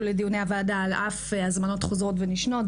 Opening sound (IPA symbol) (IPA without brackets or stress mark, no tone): l